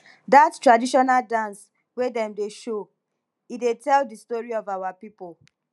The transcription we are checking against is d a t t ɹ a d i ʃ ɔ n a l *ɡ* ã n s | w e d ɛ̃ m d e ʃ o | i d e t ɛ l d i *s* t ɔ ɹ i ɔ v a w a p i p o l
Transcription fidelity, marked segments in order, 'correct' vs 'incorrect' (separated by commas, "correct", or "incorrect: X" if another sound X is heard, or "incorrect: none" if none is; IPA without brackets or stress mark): incorrect: d, correct